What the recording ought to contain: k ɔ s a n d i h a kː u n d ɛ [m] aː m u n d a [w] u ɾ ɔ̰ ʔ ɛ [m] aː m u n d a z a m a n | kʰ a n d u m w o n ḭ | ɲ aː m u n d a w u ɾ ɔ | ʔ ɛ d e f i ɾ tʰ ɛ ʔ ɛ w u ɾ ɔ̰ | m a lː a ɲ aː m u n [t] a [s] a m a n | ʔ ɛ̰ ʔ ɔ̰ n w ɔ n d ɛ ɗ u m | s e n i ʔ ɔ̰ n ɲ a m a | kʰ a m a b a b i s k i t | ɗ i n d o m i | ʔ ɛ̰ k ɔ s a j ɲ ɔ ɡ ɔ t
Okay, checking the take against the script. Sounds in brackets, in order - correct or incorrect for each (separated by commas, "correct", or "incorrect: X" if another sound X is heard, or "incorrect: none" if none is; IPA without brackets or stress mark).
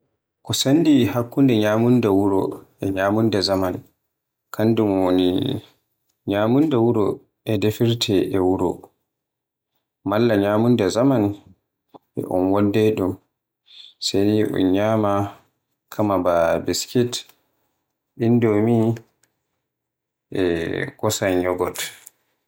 incorrect: ɲ, correct, incorrect: ɲ, incorrect: d, incorrect: z